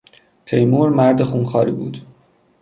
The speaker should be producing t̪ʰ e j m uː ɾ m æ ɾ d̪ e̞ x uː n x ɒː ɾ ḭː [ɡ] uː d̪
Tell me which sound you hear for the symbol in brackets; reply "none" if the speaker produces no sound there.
b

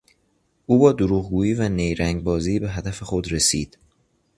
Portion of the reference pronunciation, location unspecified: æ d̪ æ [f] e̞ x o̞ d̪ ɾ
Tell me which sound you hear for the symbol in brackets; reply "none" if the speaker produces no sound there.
f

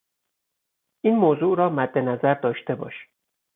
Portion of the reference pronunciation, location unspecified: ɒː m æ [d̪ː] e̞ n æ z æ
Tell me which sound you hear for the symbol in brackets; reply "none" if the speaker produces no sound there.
d̪ː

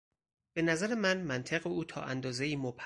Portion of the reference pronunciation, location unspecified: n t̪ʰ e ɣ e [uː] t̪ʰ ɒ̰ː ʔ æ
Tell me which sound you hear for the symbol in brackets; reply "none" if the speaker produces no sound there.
uː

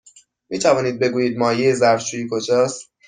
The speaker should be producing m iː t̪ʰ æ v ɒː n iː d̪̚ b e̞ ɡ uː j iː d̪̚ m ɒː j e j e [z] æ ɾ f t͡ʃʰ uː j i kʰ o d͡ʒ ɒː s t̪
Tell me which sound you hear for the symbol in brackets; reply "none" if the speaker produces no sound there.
z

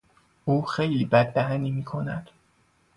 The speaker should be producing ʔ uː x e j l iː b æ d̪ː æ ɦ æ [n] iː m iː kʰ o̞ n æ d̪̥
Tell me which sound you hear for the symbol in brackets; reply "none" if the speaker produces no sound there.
n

